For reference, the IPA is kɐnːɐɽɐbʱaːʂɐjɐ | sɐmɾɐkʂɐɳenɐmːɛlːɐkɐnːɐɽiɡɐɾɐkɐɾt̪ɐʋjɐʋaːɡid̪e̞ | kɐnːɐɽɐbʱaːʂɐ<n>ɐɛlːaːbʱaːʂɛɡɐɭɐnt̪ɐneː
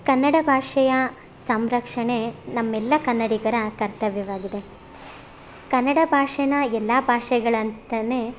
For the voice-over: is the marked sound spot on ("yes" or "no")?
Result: yes